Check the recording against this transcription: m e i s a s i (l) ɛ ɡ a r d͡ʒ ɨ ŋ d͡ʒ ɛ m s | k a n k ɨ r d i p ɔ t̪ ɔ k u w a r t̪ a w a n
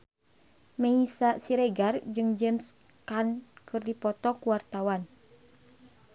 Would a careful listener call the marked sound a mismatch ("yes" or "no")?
yes